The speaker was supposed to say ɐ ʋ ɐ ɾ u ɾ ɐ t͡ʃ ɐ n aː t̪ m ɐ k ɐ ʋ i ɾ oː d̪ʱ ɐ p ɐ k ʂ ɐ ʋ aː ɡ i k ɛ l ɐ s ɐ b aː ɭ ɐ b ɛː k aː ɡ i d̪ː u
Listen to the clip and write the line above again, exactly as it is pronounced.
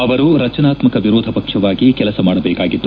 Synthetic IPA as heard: ɐ ʋ ɐ ɾ u ɾ ɐ t͡ʃ ɐ n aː t̪ m ɐ k ɐ ʋ i ɾ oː d̪ʱ ɐ p ɐ k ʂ ɐ ʋ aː ɡ i k ɛ l ɐ s ɐ m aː ɽ ɐ b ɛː k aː ɡ i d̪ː u